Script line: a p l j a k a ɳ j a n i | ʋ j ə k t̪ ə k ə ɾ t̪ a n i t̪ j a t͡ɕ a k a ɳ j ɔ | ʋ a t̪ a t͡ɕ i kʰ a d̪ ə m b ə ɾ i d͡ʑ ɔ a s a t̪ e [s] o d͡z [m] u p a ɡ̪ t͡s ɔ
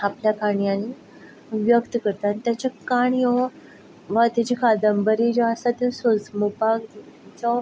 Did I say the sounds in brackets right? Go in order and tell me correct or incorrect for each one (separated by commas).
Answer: correct, correct